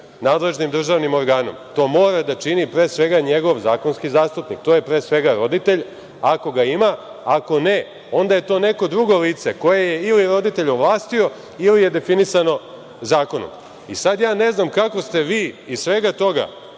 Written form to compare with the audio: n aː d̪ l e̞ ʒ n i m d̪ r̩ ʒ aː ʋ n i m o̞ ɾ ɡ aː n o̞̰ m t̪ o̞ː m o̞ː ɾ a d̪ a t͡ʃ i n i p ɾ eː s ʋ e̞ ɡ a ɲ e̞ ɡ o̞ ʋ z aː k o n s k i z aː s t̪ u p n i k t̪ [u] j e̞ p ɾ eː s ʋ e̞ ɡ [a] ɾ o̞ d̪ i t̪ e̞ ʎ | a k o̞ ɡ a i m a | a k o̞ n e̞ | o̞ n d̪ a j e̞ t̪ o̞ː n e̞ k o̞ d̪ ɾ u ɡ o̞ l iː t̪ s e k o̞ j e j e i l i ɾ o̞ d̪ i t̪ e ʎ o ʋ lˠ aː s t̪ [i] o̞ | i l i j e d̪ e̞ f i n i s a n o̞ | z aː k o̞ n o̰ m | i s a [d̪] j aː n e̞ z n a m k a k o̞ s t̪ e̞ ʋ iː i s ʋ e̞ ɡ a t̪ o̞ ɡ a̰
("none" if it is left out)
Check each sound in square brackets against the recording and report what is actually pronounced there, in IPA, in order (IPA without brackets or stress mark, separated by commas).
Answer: o, a, i, d̪